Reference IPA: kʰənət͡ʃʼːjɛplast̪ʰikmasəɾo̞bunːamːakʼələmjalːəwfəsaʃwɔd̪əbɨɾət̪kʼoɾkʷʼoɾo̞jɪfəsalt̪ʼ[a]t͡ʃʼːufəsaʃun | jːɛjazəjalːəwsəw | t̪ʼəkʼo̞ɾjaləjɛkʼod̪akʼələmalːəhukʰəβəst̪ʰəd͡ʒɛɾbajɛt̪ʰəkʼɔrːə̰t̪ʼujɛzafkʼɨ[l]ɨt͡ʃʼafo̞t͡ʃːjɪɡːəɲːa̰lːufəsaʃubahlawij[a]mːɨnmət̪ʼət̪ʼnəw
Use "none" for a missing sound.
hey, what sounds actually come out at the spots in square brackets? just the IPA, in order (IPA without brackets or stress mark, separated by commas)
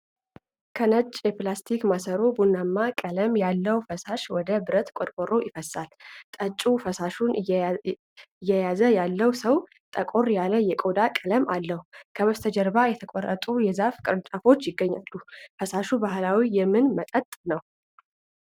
ə, ɾ, ɛ